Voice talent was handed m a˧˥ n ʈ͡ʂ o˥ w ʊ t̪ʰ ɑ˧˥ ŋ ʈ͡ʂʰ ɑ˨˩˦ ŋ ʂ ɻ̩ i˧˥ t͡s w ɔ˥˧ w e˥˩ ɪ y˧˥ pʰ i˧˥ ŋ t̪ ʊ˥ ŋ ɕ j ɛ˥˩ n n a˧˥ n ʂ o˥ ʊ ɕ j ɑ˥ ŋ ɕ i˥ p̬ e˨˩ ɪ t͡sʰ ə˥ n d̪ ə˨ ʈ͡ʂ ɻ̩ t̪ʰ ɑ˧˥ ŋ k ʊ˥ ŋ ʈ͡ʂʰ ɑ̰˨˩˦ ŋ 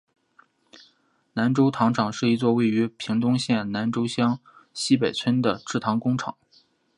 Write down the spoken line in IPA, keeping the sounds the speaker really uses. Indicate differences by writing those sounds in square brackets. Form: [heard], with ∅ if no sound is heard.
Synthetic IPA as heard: [n] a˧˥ n ʈ͡ʂ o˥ [∅] ʊ t̪ʰ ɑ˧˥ ŋ ʈ͡ʂʰ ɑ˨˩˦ ŋ ʂ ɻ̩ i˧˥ t͡s w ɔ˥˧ w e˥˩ ɪ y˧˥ pʰ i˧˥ ŋ t̪ ʊ˥ ŋ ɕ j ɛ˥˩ n n a˧˥ n [ʈ͡ʂ] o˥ ʊ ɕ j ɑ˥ ŋ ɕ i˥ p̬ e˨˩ ɪ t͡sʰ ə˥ n d̪ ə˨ ʈ͡ʂ ɻ̩ t̪ʰ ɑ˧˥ ŋ k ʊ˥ ŋ ʈ͡ʂʰ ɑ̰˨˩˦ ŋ